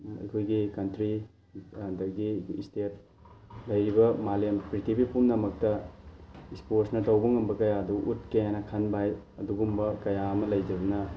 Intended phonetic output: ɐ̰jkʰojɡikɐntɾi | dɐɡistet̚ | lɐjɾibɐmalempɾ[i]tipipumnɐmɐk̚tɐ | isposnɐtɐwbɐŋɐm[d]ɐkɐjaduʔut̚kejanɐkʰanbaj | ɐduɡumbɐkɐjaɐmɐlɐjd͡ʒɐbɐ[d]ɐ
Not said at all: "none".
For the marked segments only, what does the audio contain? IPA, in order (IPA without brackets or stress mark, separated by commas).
i, b, n